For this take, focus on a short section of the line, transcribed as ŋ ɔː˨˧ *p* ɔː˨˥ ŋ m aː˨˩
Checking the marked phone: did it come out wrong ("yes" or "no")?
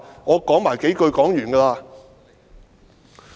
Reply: yes